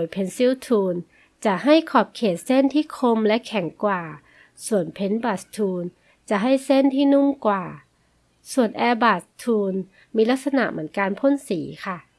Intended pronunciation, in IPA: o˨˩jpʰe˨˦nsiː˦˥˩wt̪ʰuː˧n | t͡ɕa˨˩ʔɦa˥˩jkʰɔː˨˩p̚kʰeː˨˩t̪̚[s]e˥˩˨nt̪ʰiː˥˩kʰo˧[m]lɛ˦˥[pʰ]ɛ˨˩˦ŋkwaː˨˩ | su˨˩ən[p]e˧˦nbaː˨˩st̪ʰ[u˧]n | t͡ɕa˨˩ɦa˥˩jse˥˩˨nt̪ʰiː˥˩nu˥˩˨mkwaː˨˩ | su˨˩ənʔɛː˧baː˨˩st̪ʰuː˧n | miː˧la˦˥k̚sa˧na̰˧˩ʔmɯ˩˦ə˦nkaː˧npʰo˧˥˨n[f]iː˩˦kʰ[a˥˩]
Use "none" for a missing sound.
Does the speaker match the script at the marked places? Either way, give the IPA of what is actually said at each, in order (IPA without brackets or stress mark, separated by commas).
s, m, kʰ, pʰ, uː˧, s, a˥˩